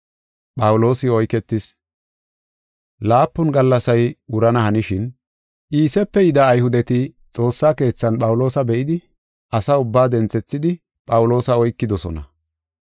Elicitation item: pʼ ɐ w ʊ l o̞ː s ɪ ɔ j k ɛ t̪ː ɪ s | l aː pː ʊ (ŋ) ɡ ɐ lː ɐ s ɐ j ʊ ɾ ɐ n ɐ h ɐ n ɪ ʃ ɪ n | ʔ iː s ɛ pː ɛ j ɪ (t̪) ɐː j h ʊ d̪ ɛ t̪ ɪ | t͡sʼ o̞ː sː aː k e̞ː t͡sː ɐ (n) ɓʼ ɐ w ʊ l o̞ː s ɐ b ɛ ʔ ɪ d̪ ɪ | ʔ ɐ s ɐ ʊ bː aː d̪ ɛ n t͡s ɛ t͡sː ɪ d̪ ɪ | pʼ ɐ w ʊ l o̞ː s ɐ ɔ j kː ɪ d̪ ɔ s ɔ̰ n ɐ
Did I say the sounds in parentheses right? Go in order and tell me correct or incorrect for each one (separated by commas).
incorrect, incorrect, correct